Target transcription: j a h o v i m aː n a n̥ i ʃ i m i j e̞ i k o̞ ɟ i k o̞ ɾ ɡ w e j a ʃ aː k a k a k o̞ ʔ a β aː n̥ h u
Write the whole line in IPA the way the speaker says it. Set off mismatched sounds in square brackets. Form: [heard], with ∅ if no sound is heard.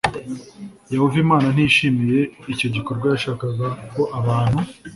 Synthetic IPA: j a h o v i m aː n a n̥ i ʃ i m i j e̞ i [c] o̞ ɟ i k o̞ ɾ ɡ w [a] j a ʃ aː k a [ɡ] a k o̞ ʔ a β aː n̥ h u